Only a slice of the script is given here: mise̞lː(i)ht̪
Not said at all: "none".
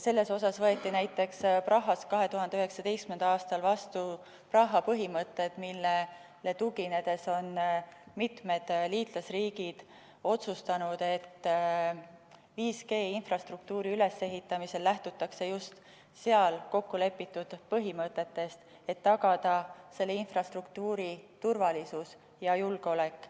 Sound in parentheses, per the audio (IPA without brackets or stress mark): æ